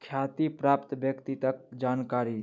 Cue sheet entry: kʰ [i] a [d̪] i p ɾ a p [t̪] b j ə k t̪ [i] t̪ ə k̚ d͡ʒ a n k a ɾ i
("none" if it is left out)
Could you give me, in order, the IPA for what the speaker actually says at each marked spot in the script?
j, t̪, t̪, i

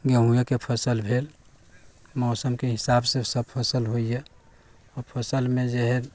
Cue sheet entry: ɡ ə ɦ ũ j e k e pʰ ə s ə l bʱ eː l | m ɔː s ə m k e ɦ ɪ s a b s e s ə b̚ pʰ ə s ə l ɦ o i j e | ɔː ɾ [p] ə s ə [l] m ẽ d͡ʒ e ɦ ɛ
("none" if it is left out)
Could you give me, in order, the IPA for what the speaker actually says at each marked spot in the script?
pʰ, l

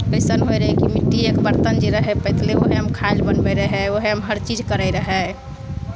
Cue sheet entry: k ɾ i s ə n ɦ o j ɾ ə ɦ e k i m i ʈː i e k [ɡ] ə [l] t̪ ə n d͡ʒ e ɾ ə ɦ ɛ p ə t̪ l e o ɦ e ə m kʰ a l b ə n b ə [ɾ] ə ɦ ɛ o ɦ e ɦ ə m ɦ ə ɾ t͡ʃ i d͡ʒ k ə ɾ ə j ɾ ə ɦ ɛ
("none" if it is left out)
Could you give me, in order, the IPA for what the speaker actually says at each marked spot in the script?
b, ɾ, ɾ

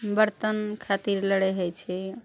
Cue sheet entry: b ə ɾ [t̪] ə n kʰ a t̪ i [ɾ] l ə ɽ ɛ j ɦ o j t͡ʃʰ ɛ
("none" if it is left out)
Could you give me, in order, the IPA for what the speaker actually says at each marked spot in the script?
t̪, ɾ

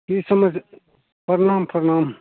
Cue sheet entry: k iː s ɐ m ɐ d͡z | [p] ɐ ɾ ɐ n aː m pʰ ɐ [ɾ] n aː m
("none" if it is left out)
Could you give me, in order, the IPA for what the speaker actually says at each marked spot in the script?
p, ɾ

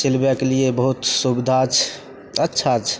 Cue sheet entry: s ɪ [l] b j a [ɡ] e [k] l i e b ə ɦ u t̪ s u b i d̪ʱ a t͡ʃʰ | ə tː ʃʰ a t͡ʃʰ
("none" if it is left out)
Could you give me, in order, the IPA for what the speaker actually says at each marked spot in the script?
l, k, none

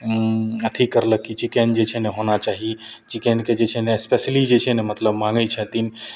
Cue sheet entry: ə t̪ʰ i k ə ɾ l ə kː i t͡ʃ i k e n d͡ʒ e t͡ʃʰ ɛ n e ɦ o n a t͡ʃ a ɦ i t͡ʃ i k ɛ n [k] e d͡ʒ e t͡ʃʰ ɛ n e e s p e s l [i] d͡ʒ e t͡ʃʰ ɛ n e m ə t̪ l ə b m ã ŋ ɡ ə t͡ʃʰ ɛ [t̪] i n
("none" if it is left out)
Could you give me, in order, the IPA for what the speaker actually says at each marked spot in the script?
k, i, t̪

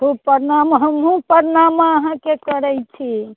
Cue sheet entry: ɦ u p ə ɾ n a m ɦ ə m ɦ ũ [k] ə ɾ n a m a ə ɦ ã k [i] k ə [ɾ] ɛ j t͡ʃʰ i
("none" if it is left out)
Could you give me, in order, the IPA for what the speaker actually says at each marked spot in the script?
p, e, ɾ

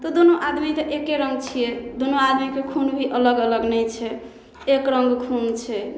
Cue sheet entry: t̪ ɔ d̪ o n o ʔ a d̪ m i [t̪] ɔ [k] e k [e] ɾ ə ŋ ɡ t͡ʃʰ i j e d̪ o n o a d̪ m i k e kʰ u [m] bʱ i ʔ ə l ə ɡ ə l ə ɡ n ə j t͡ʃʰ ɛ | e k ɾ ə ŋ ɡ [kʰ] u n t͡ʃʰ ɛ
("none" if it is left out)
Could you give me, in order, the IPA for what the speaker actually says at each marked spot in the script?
t̪, ʔ, e, n, kʰ

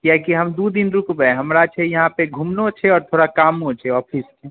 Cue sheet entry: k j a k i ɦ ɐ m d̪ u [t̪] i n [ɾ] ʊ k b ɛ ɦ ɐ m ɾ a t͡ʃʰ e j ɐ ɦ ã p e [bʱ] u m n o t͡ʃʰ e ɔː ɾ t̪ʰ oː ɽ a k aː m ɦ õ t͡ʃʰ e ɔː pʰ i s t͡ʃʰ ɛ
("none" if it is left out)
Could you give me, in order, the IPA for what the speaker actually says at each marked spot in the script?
d̪, ɾ, ɡʱ

